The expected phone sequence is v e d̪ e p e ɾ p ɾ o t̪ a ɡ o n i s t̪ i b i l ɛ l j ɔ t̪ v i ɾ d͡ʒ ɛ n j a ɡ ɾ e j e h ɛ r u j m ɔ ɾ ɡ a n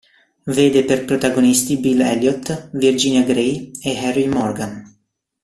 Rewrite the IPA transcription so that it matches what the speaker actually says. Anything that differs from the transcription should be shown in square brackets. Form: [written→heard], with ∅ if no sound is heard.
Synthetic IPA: v e d̪ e p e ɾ p ɾ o t̪ a ɡ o n i s t̪ i b i l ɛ l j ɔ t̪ v i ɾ d͡ʒ [ɛ→i] n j a ɡ ɾ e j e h ɛ r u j m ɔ ɾ ɡ a n